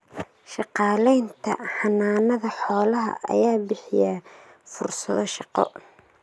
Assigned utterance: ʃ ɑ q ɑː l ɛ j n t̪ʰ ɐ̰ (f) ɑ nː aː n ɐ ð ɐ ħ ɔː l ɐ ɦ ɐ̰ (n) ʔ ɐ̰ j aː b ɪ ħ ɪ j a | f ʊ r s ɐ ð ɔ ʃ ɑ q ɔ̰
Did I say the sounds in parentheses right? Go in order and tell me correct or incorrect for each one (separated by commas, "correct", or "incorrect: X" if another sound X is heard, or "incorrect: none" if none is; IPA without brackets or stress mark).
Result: incorrect: ħ, incorrect: none